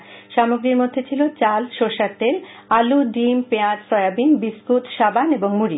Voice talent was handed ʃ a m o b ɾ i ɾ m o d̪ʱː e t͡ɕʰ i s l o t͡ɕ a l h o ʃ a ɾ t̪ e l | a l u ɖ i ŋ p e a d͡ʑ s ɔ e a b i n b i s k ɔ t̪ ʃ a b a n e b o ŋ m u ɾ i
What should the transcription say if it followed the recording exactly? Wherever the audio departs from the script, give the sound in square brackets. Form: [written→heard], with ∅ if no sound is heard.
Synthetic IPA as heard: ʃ a m o [b→ɡ] ɾ i ɾ m o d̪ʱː e t͡ɕʰ i [s→∅] l o t͡ɕ a l [h→ʃ] o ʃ a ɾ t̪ e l | a l u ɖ i [ŋ→m] p e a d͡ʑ s ɔ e a b i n b i s k [ɔ→u] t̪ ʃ a b a n e b o ŋ m u ɾ i